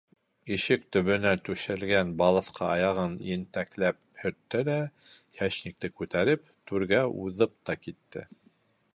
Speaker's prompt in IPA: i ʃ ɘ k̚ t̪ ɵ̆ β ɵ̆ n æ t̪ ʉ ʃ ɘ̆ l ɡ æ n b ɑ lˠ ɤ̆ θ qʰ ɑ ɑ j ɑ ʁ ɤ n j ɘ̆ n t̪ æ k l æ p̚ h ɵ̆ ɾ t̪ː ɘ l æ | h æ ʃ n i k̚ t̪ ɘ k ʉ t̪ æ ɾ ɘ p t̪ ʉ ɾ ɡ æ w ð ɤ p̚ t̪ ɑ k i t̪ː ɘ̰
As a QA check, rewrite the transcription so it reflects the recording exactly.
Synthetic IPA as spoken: i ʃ ɘ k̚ t̪ ɵ̆ β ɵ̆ n æ t̪ ʉ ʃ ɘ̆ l ɡ æ n b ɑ lˠ ɤ̆ θ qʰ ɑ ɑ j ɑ ʁ ɤ n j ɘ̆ n t̪ æ k l æ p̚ h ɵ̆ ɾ t̪ː ɘ l æ | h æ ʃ n i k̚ t̪ ɘ k ʉ t̪ æ ɾ ɘ p t̪ ʉ ɾ ɡ æ u ð ɤ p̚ t̪ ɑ k i t̪ː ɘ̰